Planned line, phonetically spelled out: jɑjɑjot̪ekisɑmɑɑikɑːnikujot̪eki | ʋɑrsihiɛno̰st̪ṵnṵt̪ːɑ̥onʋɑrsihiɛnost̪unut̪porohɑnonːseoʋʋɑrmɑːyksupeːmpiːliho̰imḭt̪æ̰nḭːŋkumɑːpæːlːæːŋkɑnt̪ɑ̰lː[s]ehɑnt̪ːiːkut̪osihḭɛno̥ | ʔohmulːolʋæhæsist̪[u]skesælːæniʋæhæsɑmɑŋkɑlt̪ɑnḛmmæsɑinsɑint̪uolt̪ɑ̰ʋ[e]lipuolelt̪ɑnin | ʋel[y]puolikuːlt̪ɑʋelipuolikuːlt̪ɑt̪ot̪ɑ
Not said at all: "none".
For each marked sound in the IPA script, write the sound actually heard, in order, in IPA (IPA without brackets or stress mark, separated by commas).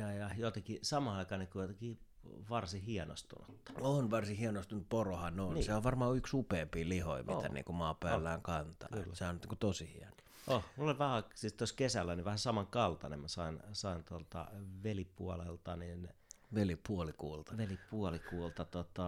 s, o, e, i